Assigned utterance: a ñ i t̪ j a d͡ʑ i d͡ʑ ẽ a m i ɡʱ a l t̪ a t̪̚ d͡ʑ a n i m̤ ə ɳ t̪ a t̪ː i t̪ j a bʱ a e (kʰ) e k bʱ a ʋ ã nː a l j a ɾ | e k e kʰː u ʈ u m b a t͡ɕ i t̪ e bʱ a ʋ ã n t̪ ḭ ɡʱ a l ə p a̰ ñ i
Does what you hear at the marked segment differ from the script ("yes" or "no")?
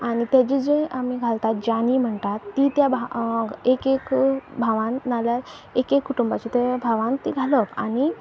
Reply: yes